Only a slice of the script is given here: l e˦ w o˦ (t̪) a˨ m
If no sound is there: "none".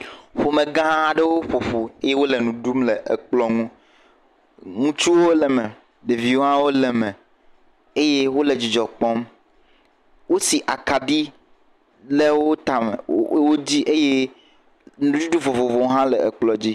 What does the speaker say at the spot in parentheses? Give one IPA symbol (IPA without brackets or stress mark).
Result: t̪